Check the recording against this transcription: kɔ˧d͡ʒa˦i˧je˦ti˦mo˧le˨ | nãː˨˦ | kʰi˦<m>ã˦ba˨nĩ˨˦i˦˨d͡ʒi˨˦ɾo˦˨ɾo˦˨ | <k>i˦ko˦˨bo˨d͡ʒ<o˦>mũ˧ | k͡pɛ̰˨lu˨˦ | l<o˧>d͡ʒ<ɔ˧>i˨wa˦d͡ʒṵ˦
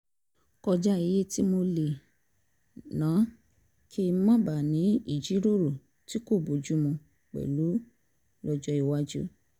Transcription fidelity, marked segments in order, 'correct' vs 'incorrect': correct, incorrect: t, incorrect: u˦, incorrect: ɔ˧, correct

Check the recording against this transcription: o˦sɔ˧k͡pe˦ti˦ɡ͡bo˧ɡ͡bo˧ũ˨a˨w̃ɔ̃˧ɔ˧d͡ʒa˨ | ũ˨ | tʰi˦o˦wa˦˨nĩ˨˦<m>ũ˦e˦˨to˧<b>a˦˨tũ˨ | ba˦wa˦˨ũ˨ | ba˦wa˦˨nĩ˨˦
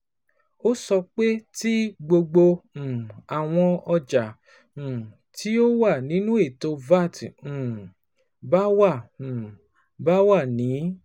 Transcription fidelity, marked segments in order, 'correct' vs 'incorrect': incorrect: n, incorrect: v

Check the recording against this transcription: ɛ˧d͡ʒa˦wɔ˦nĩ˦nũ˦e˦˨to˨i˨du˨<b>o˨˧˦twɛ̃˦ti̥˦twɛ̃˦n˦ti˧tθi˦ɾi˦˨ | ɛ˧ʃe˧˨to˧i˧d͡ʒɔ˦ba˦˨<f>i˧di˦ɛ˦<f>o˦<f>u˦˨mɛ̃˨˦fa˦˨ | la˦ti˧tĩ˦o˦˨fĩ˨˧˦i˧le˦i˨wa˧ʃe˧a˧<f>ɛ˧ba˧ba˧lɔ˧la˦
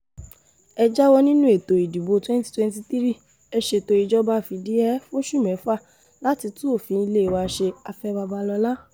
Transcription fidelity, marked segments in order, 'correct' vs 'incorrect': correct, correct, correct, incorrect: ʃ, correct

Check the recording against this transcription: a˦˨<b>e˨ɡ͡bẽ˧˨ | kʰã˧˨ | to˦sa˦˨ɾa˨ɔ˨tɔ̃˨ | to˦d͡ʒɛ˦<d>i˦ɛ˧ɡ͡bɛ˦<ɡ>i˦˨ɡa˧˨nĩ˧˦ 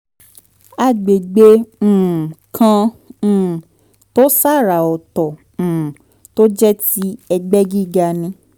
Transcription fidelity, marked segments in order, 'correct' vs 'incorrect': incorrect: ɡ͡b, incorrect: t, correct

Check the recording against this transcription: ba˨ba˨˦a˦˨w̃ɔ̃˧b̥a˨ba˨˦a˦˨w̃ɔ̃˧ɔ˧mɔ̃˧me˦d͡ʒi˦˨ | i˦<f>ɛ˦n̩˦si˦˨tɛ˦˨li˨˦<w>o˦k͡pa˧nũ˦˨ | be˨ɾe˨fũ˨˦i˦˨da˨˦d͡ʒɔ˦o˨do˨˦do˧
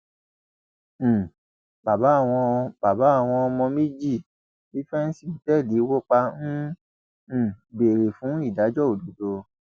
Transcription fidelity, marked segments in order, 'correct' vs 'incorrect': correct, correct

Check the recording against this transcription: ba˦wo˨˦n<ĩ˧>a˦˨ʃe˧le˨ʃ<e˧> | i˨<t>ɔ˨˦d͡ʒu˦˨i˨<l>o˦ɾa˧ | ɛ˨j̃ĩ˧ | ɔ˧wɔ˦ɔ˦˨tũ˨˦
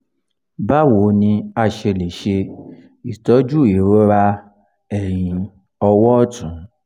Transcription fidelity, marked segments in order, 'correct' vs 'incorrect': correct, correct, correct, incorrect: ɾ

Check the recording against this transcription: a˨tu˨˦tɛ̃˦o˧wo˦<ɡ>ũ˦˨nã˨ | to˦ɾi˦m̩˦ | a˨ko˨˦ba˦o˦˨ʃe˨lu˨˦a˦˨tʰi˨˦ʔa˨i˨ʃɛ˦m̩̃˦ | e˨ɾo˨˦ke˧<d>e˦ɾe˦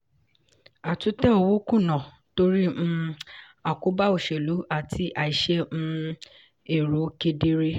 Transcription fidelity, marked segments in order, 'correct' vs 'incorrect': incorrect: k, correct

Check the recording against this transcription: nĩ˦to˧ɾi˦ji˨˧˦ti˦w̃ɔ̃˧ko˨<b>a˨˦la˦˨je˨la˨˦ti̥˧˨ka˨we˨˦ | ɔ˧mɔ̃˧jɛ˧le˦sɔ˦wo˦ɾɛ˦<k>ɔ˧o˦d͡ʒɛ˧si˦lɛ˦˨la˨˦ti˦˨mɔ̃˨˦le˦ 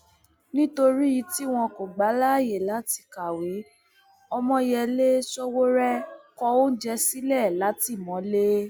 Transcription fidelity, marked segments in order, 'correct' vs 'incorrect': incorrect: ɡ͡b, correct

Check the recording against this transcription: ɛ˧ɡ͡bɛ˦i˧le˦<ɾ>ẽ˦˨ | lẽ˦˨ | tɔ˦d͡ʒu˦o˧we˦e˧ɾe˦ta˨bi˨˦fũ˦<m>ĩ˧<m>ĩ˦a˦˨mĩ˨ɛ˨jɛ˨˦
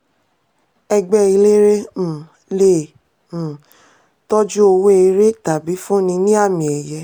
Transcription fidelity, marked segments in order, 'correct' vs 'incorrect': correct, incorrect: n, incorrect: n

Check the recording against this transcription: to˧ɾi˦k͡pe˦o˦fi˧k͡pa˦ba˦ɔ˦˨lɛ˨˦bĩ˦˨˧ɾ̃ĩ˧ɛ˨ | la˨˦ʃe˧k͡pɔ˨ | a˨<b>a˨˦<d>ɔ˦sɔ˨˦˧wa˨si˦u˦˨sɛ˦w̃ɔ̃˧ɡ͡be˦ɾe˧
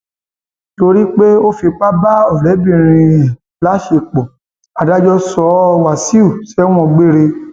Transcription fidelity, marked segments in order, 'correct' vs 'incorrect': incorrect: d, incorrect: d͡ʒ

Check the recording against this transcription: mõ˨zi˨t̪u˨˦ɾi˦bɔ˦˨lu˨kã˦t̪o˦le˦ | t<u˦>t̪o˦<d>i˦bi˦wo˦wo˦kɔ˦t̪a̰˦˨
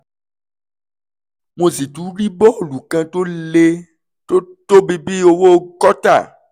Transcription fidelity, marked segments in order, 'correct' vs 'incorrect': incorrect: o˦, incorrect: b

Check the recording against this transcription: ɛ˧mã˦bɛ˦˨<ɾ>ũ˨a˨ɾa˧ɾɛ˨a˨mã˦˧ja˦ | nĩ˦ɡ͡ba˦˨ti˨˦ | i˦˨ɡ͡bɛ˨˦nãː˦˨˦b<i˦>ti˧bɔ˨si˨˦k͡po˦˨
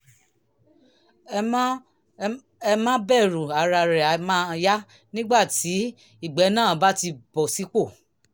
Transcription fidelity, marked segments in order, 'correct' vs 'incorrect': correct, incorrect: a˦

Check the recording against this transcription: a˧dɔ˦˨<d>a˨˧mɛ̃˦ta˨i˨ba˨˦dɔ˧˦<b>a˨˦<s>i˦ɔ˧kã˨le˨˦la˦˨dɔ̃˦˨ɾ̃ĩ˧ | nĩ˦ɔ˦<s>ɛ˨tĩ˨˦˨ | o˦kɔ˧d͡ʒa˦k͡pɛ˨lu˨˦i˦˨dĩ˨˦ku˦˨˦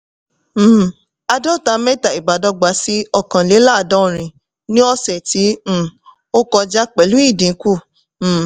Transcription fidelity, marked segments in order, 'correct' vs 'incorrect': incorrect: t, incorrect: ɡ͡b, correct, correct

